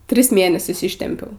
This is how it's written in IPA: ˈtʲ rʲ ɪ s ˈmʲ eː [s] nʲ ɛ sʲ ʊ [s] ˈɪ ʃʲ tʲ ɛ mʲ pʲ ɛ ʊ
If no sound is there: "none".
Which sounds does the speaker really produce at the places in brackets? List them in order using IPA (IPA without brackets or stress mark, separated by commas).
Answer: none, s